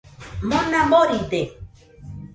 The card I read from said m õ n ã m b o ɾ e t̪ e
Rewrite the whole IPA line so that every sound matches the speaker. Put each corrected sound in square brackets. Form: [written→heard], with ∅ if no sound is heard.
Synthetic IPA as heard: m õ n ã m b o ɾ [e→i] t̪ e